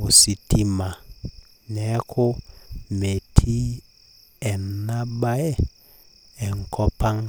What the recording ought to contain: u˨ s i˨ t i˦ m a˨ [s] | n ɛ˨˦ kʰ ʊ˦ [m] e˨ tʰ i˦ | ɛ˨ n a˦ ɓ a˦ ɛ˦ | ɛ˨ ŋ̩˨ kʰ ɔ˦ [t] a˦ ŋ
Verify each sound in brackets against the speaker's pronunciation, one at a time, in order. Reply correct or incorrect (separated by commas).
incorrect, correct, incorrect